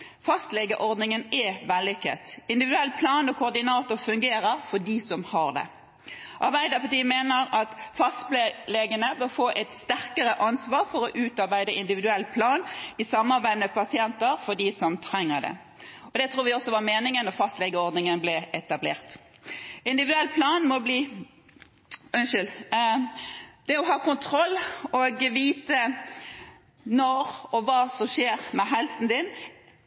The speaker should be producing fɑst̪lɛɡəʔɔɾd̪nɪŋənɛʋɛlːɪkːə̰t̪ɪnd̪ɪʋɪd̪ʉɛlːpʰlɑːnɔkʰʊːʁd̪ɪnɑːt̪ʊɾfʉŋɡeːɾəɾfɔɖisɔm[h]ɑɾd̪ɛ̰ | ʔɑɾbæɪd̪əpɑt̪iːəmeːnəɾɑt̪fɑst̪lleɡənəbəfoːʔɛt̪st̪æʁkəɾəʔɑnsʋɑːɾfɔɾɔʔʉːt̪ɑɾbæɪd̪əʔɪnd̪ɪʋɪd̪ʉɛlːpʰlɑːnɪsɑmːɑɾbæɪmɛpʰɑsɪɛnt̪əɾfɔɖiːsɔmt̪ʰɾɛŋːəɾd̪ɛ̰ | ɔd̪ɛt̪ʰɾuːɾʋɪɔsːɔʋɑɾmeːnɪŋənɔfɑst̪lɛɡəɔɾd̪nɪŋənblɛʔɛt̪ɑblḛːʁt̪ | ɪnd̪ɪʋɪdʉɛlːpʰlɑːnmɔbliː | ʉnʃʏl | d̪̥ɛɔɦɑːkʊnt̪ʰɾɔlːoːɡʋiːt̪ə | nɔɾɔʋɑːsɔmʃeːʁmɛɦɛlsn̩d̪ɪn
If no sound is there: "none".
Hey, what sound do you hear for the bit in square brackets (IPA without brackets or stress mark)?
h